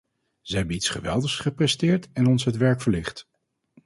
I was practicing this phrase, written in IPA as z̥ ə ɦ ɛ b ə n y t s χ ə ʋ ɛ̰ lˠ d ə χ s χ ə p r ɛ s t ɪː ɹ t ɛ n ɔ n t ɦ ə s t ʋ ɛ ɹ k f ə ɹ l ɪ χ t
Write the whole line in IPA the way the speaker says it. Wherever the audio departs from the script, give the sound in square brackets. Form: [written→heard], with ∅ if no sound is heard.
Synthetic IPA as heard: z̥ ə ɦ ɛ b ə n [y→i] t s χ ə ʋ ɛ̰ lˠ d ə χ s χ ə p r ɛ s t ɪː ɹ t ɛ n ɔ n [t→s] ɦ ə [s→∅] t ʋ ɛ ɹ k f ə ɹ l ɪ χ t